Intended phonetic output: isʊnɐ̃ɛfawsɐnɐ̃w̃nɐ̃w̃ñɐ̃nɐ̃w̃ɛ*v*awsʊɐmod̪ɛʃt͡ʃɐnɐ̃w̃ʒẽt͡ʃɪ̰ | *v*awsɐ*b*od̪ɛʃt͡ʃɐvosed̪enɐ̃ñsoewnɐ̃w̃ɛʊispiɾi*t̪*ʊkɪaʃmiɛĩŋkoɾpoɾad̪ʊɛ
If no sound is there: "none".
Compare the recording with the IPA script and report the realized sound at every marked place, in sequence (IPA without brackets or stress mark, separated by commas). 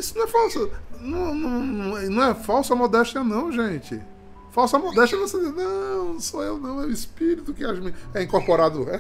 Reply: f, f, m, t̪